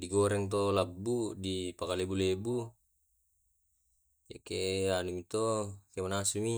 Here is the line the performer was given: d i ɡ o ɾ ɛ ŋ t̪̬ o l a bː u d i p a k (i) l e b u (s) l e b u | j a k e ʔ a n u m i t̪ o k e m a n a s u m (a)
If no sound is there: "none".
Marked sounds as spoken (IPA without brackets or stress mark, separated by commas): a, none, i